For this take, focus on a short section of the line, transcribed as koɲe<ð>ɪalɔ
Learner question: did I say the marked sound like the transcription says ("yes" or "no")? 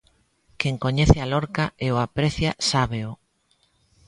no